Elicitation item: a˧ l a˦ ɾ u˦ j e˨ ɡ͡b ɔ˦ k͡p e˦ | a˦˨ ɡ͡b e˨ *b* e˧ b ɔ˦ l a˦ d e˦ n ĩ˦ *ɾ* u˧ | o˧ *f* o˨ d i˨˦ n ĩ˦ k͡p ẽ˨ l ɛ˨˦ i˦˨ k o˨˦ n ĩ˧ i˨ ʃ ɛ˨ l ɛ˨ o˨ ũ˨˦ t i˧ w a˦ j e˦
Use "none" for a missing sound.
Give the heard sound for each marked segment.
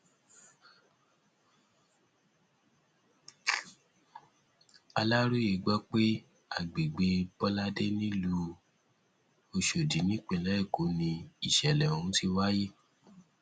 ɡ͡b, l, ʃ

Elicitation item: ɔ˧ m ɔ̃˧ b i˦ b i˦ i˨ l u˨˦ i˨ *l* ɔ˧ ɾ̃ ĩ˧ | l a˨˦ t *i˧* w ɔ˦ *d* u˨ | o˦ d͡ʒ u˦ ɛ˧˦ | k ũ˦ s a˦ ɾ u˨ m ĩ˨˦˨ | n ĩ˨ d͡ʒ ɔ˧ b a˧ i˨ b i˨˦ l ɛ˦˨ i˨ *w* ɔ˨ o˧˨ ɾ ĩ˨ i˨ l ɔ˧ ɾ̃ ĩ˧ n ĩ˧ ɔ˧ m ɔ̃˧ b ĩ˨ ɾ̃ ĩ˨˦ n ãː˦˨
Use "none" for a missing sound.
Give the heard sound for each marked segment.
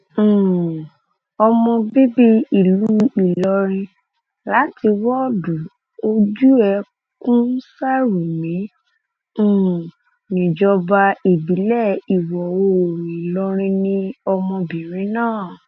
l, i˧, d, w

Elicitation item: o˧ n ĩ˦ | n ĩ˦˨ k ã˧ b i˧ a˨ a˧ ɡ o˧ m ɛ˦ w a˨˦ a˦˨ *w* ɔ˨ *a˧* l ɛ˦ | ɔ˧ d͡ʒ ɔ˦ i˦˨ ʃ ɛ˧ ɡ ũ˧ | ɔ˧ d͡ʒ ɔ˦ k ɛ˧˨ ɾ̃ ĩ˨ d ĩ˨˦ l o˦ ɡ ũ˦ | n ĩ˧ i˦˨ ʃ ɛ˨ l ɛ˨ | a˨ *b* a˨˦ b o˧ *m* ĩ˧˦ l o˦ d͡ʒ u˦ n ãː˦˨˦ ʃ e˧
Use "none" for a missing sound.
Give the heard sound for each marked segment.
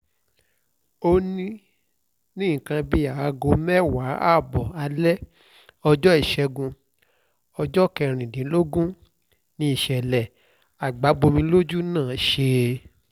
b, a˧, ɡ͡b, m

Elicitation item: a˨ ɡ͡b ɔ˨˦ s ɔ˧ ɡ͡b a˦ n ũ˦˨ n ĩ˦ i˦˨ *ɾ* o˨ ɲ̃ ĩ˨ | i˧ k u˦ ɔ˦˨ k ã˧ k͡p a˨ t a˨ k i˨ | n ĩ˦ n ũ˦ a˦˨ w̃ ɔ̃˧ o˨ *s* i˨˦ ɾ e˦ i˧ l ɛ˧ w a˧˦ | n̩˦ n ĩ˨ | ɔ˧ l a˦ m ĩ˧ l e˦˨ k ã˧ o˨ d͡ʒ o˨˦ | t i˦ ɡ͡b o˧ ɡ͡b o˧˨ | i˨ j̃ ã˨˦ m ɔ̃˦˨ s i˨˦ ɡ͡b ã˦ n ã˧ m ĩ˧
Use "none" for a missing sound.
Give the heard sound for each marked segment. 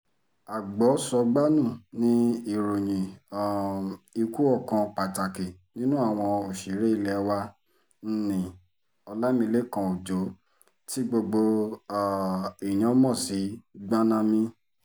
ɾ, ʃ

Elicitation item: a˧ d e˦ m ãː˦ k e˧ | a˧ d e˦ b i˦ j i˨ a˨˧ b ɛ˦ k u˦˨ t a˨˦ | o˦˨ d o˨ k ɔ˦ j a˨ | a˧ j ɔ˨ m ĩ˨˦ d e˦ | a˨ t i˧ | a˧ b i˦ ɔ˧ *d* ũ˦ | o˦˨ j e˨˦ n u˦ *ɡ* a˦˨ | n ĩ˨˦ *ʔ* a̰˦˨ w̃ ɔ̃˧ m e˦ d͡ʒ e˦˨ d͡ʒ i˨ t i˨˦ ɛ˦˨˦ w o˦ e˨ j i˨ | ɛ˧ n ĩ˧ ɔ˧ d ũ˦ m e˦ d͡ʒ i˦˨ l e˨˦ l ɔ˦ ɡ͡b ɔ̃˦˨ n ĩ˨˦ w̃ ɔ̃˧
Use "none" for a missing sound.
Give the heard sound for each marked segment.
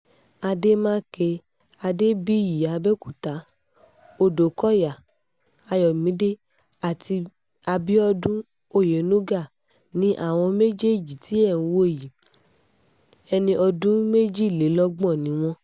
d, ɡ, ʔ

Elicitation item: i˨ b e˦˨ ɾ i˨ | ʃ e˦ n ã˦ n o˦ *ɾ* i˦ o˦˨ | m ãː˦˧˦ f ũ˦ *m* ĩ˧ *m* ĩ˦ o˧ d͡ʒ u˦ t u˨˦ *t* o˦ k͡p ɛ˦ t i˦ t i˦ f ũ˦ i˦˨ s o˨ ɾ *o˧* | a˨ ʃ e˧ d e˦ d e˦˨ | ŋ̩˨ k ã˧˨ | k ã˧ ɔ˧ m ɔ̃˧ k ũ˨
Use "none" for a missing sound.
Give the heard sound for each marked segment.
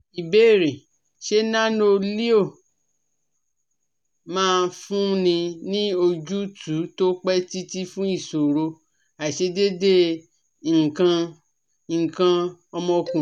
l, n, n, t, o˧

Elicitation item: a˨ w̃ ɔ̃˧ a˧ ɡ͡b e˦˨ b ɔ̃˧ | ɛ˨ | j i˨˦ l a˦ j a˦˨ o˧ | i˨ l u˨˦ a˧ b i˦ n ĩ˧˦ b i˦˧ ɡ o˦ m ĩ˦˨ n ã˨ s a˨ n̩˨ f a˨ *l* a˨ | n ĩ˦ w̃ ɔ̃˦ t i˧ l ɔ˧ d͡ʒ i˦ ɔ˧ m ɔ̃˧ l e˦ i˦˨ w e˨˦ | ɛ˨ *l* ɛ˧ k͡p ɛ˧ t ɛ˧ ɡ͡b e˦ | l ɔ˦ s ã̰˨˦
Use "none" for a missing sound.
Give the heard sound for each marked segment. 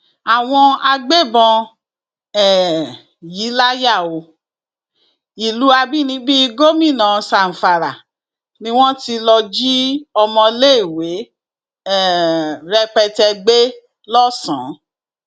ɾ, ɾ

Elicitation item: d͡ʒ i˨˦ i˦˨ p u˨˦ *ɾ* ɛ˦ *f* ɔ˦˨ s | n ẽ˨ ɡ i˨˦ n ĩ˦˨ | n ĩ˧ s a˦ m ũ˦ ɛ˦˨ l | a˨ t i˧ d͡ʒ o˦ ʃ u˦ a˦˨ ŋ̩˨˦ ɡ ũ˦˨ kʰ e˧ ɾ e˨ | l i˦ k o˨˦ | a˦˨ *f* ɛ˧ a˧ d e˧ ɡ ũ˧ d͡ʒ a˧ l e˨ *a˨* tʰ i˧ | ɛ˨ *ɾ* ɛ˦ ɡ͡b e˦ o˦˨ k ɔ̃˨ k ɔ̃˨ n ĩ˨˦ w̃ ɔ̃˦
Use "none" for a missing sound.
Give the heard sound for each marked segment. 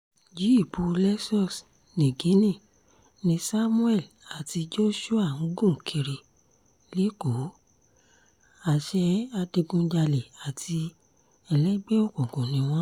l, s, ʃ, a˨, l

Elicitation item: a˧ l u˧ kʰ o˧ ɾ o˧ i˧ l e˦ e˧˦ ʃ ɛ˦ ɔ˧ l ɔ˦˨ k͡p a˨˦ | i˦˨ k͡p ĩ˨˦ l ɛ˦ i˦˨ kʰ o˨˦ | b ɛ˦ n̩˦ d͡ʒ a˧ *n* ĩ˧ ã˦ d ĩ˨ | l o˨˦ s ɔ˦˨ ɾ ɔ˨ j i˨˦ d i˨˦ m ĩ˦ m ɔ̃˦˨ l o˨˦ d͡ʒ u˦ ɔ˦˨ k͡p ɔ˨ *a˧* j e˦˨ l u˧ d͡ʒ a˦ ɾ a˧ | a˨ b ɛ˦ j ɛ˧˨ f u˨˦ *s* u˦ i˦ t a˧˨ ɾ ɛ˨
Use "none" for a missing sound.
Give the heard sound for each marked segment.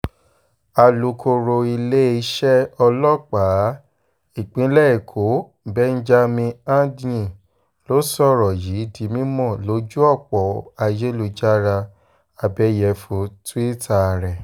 m, a˧, t

